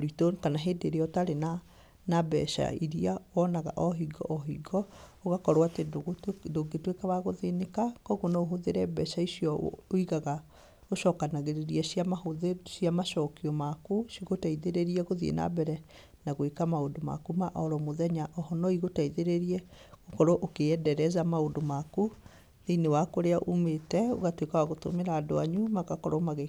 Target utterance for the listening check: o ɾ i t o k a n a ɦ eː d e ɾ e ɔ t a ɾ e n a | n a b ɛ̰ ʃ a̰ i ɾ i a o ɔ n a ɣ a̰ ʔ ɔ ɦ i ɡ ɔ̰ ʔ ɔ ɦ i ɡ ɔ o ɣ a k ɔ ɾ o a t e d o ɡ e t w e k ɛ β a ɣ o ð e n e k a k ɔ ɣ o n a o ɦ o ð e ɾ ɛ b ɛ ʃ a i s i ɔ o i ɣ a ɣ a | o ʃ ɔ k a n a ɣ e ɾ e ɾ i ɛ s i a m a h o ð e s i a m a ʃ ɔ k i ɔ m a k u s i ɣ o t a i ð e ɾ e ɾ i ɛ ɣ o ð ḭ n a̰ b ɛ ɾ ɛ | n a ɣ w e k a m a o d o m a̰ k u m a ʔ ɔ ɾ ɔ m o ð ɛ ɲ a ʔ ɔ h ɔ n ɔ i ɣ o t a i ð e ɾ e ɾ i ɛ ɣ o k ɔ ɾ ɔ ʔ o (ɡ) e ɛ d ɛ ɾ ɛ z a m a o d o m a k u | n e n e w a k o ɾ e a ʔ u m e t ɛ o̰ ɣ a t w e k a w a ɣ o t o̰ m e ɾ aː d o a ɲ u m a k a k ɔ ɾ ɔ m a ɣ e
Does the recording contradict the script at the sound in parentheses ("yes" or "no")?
yes